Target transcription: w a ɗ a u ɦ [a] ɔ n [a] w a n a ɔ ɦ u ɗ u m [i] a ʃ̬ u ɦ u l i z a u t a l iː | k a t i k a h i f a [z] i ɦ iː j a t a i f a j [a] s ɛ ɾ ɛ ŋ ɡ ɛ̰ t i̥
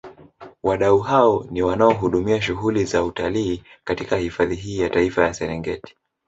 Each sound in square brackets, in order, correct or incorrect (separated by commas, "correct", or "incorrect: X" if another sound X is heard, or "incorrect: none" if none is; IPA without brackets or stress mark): correct, incorrect: i, correct, incorrect: ð, correct